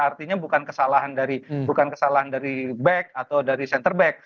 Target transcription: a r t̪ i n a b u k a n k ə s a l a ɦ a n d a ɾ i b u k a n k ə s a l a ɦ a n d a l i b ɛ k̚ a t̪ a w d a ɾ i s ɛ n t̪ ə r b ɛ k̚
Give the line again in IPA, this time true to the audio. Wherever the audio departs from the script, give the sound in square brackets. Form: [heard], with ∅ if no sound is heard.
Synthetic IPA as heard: a r t̪ i [ɲ] a b u k a n k ə s a l a ɦ a n d a ɾ i b u k a n k ə s a l a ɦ a n d a [ɾ] i b ɛ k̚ a t̪ a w d a ɾ i s ɛ n t̪ ə r b ɛ k̚